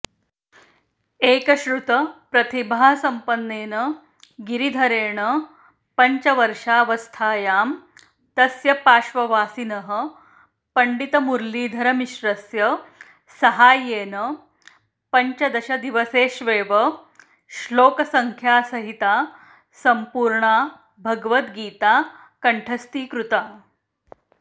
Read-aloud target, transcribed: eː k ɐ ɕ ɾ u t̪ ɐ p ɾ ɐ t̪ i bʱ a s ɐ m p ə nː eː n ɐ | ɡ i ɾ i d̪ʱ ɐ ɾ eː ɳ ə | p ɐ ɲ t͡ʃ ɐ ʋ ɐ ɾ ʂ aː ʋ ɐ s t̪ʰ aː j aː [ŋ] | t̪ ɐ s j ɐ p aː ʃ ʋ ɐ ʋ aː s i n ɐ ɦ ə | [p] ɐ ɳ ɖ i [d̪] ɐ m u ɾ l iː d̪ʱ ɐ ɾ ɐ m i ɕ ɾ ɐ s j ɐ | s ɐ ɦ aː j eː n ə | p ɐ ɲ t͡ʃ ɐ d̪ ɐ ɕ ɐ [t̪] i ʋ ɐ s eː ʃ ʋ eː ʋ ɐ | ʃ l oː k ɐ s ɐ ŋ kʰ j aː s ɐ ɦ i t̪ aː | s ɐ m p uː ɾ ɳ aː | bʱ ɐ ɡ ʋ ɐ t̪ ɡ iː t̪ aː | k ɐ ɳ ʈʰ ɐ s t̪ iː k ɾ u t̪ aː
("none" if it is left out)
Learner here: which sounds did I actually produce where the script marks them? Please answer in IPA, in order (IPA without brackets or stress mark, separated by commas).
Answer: m, p, t̪, d̪